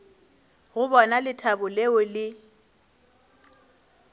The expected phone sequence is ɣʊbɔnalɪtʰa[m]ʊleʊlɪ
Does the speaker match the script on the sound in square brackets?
no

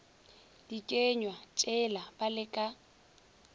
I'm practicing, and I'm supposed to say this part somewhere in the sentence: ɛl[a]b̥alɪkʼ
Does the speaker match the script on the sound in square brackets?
yes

